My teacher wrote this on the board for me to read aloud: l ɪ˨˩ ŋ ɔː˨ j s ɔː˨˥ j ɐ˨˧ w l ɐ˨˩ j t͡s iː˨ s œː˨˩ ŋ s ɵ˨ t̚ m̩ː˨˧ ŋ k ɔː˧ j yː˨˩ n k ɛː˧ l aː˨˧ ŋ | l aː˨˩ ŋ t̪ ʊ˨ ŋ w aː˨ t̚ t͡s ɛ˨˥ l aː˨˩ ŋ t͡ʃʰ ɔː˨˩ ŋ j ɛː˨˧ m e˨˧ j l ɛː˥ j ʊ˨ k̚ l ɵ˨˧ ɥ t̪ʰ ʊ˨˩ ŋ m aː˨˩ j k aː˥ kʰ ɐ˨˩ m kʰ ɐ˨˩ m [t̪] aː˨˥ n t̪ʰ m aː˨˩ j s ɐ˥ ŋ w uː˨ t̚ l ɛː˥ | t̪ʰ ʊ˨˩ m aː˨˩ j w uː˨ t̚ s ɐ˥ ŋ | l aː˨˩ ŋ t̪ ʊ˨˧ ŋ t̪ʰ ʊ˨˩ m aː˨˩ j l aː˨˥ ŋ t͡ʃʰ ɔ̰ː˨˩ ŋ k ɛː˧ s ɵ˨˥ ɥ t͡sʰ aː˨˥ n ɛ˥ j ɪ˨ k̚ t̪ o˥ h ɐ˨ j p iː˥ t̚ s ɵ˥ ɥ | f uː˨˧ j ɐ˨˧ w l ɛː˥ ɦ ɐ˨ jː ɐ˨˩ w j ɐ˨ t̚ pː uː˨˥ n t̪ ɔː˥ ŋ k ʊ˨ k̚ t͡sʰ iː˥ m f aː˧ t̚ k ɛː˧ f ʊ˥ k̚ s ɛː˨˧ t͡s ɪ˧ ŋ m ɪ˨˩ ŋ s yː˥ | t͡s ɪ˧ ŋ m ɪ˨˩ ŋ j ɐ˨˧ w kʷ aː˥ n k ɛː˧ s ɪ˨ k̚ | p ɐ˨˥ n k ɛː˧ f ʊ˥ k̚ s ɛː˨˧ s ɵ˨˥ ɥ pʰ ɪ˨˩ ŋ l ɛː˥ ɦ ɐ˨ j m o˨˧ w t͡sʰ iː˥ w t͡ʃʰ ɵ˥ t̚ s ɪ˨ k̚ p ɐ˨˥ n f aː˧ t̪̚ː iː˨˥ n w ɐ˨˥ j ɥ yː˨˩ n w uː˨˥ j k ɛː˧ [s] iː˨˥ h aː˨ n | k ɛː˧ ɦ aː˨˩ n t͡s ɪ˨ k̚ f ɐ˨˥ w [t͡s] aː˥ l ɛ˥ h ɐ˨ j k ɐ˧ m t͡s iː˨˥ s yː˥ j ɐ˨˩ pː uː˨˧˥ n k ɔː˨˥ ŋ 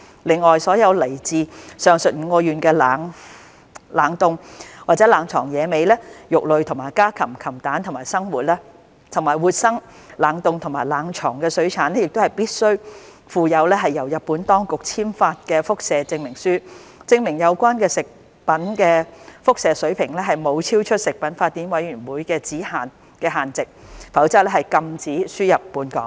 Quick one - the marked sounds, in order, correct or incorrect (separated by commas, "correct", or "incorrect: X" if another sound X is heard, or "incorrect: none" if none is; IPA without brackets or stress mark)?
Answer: correct, incorrect: t͡s, correct